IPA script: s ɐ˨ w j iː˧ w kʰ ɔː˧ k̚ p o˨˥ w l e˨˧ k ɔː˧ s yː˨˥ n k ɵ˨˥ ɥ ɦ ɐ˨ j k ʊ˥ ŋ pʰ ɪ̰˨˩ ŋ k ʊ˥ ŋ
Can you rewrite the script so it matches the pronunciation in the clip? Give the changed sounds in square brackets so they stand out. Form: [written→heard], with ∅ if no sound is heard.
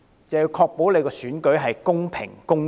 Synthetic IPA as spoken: [s→t͡s] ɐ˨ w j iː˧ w kʰ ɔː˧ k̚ p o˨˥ w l e˨˧ k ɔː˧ s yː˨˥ n k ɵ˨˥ ɥ ɦ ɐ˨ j k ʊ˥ ŋ pʰ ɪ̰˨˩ ŋ k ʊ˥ ŋ